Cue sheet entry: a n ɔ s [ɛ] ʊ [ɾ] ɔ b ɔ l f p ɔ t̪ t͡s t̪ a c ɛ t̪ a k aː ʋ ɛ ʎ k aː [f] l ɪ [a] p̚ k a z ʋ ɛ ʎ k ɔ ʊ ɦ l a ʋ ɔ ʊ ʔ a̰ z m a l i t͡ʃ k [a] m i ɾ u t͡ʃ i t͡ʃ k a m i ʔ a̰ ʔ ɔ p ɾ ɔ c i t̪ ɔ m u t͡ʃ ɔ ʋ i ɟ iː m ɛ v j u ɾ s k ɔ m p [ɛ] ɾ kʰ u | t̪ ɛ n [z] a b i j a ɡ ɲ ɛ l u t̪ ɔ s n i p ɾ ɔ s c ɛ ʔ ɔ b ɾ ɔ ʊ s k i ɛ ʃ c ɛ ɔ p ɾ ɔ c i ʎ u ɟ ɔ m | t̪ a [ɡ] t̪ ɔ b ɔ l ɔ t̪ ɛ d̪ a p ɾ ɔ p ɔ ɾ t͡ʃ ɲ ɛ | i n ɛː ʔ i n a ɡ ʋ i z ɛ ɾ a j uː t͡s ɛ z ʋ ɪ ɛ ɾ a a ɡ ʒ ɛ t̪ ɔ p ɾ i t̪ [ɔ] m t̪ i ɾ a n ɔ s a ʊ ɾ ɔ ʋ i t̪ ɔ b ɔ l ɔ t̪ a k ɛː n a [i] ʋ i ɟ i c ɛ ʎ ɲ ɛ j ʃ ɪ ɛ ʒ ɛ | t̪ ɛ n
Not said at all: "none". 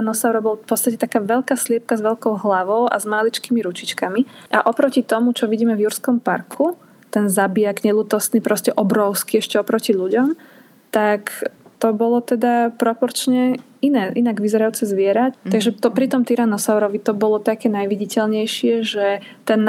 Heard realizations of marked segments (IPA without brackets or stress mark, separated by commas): a, ɾ, s, ɛ, i, a, z, k, ɔ, j